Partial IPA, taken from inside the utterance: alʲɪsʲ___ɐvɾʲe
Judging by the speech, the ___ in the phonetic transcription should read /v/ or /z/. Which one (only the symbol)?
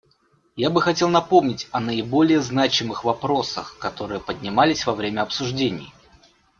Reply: v